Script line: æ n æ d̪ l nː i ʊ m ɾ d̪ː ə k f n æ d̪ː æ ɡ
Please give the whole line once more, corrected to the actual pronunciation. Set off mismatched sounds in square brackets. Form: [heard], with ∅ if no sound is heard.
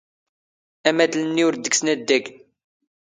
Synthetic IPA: æ [m] æ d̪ l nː i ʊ [∅] ɾ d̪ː ə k [s] n æ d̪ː æ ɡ